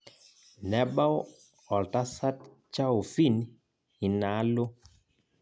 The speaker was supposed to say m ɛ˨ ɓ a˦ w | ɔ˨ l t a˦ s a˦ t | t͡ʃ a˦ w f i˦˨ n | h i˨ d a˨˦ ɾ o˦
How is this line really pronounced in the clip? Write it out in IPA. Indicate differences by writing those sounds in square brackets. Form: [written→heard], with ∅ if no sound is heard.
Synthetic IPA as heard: [m→n] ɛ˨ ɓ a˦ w | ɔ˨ l t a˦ s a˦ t | t͡ʃ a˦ w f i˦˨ n | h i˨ [d→n] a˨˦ [ɾ→l] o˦